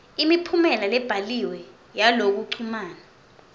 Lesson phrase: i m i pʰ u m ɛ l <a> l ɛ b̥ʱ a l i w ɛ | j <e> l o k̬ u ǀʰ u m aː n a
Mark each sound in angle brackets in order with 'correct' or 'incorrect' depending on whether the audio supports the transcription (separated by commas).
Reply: correct, incorrect